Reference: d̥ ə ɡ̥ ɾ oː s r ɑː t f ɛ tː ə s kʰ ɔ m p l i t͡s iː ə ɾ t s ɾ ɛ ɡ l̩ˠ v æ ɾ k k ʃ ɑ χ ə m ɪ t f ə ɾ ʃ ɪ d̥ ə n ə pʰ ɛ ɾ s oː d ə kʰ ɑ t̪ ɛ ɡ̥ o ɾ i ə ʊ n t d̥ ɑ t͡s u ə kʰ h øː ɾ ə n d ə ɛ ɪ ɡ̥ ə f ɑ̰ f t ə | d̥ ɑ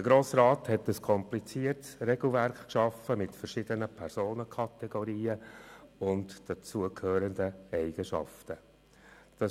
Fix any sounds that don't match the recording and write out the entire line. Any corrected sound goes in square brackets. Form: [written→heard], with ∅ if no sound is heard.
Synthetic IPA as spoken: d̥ ə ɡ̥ ɾ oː s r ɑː t [f→h] ɛ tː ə s kʰ ɔ m p l i t͡s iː ə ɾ t s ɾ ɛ ɡ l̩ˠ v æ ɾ k k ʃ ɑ [χ→f] ə m ɪ t f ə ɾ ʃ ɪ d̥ ə n ə pʰ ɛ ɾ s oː [d→n] ə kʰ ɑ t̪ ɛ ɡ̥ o ɾ [i→iː] ə ʊ n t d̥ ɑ t͡s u ə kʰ h øː ɾ ə n d ə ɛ ɪ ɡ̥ ə [f→ʃ] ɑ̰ f t ə | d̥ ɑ